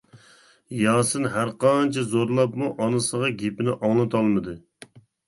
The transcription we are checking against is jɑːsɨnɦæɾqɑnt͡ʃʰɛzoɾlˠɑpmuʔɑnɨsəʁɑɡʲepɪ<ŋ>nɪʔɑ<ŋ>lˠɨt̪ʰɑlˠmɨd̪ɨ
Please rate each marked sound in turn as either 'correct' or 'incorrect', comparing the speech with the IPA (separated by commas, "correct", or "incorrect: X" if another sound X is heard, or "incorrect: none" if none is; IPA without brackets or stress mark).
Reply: incorrect: none, correct